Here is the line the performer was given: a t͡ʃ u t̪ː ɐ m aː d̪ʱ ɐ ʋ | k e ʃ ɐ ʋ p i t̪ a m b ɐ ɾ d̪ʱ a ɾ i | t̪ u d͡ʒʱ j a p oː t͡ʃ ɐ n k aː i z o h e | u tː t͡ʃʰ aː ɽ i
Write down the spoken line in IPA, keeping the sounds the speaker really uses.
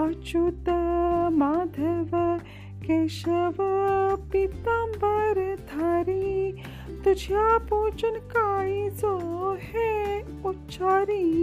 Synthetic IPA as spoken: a t͡ʃ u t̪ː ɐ m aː d̪ʱ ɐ ʋ | k e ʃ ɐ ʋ p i t̪ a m b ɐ ɾ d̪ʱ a ɾ i | t̪ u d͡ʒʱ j a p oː t͡ʃ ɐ n k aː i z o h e | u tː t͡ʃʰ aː ɾ i